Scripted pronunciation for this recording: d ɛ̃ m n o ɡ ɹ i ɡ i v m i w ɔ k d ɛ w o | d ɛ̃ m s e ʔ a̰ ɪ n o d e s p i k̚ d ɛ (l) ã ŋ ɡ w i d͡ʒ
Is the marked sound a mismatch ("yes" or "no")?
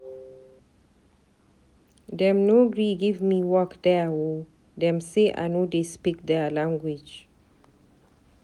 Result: no